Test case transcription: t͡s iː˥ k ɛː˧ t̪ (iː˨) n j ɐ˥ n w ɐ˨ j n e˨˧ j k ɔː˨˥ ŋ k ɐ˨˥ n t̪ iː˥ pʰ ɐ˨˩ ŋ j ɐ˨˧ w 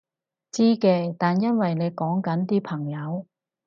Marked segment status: incorrect: aː˨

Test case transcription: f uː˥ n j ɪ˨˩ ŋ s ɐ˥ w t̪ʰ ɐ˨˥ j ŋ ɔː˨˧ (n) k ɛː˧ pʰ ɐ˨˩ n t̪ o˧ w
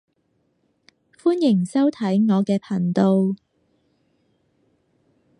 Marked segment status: incorrect: none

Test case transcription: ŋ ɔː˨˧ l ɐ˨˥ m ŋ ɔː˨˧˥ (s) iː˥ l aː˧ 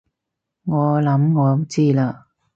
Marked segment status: incorrect: t͡s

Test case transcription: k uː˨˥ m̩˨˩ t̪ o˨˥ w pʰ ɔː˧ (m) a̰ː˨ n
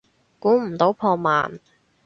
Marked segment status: correct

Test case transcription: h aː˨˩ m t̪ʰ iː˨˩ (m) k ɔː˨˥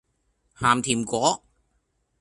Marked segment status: correct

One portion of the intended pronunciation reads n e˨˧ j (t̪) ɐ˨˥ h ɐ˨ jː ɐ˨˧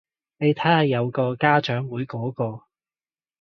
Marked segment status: incorrect: t̪ʰ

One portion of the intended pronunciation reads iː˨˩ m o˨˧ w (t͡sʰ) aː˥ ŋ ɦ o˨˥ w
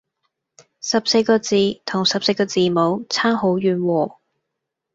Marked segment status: correct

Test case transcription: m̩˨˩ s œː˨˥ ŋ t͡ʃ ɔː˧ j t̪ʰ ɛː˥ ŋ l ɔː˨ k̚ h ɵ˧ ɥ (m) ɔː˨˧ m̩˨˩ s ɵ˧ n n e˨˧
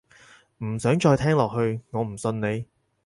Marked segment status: incorrect: ŋ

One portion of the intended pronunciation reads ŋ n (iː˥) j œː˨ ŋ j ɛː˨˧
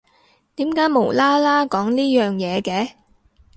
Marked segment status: correct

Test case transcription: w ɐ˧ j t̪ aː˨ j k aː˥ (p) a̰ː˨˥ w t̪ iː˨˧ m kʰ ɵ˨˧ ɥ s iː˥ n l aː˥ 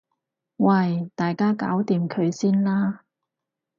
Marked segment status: incorrect: k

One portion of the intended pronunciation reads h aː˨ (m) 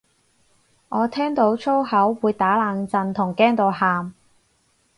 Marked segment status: correct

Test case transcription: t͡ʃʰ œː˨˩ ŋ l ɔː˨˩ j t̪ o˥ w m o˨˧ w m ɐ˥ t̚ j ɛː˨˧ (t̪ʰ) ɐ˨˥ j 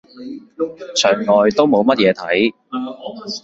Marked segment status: correct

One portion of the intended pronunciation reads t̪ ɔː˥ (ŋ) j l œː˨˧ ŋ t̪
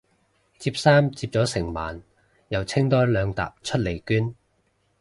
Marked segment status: incorrect: none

